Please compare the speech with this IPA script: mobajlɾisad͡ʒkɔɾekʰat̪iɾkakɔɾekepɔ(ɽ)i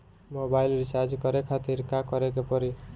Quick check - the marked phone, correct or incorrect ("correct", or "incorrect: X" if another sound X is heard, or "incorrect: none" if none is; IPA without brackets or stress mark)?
incorrect: ɾ